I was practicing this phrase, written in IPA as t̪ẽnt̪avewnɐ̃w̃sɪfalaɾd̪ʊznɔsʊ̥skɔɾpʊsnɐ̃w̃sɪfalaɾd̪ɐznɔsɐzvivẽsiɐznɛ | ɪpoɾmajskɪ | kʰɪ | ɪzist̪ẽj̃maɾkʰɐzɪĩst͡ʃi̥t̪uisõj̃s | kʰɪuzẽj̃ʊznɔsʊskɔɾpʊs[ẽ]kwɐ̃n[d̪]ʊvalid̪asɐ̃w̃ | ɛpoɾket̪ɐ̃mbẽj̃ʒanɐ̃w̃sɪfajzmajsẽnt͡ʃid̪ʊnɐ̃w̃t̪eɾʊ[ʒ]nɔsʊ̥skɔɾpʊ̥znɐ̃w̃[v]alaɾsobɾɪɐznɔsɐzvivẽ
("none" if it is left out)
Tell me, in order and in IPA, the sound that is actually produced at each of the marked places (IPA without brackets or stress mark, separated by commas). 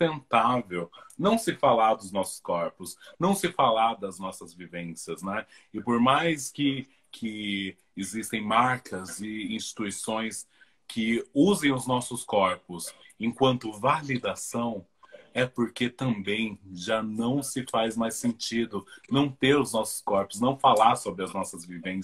ẽ, t̪, z, f